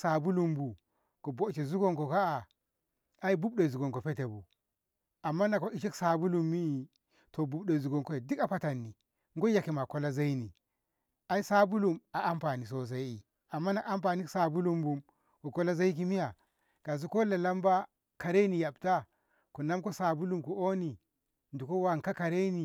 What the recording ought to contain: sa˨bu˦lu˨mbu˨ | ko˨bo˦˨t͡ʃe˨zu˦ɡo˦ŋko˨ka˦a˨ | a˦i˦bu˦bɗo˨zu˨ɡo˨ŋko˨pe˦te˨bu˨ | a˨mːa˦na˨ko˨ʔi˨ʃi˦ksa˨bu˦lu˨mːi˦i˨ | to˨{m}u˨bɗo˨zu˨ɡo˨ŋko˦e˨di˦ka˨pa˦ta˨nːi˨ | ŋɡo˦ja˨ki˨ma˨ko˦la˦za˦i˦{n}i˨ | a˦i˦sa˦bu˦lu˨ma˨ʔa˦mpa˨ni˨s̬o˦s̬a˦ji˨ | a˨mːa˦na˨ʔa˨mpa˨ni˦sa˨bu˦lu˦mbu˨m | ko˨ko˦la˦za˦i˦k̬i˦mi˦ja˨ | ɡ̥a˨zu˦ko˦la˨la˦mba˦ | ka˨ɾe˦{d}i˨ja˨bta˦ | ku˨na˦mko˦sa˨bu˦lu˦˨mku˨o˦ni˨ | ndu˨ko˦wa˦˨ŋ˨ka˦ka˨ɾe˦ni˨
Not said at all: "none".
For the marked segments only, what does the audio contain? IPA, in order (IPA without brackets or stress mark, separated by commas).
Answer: b, n, n